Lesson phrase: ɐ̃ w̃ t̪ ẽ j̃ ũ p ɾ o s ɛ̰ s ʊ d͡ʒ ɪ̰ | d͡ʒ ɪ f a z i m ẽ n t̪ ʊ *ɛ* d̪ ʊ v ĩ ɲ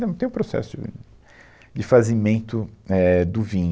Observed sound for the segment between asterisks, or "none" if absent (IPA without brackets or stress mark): ɛ